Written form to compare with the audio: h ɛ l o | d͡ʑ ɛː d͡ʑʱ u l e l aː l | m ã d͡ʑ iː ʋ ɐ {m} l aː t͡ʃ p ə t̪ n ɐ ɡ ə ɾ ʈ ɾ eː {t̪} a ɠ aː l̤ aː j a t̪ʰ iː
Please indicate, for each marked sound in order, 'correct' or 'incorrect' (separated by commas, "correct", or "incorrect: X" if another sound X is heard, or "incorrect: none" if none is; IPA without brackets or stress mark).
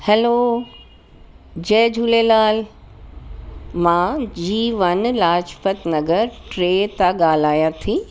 incorrect: n, correct